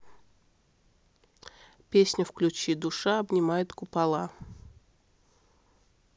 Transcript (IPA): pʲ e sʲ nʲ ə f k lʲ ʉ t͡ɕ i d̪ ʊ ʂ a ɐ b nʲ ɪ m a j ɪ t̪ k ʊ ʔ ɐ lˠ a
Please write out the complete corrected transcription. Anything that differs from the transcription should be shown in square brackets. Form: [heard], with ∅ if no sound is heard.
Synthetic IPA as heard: pʲ e sʲ nʲ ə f k lʲ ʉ t͡ɕ i d̪ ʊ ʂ a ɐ b nʲ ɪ m a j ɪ t̪ k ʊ [p] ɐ lˠ a